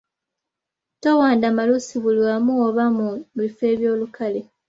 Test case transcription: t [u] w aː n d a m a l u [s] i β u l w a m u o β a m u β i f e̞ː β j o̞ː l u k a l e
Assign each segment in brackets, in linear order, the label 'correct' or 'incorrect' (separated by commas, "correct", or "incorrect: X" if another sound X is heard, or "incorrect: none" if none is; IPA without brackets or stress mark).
incorrect: o, correct